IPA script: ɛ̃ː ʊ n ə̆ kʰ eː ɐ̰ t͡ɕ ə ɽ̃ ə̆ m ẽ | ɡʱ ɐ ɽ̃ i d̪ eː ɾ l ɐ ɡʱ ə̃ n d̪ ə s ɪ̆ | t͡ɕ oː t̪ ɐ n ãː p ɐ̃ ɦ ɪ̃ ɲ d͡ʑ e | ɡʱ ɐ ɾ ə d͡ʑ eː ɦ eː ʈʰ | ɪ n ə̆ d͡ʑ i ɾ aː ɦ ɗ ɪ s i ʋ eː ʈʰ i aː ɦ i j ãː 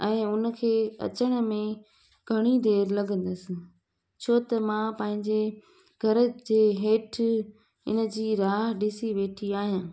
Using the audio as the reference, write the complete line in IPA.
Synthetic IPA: ɛ̃ː ʊ n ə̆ kʰ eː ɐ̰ t͡ɕ ə ɽ̃ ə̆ m ẽ | ɡʱ ɐ ɽ̃ i d̪ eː ɾ l ɐ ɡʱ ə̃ n d̪ ə s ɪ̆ | t͡ɕʰ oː t̪ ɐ m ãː p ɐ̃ ɦ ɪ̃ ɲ d͡ʑ e | ɡʱ ɐ ɾ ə d͡ʑ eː ɦ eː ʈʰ | ɪ n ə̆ d͡ʑ iː ɾ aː ɦ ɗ ɪ s i ʋ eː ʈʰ i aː ɦ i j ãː